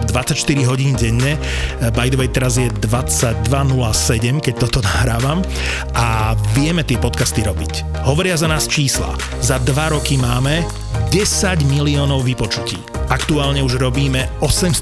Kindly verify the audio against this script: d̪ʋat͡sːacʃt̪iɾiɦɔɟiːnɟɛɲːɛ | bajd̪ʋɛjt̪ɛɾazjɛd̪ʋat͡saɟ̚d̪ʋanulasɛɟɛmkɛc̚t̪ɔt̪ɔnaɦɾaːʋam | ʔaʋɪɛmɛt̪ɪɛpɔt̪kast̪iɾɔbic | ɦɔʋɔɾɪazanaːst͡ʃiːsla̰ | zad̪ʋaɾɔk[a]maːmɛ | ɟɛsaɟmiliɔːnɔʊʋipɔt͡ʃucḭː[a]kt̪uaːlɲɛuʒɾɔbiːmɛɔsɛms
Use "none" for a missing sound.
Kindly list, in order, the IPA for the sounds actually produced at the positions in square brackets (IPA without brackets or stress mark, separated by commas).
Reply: i, a